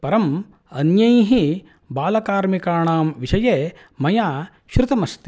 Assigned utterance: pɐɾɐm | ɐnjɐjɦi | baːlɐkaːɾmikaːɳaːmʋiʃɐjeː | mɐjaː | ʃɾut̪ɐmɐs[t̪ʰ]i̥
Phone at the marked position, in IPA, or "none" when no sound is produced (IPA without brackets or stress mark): t̪